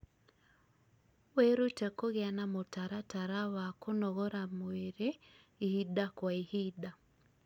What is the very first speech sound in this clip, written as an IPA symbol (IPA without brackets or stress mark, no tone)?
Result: w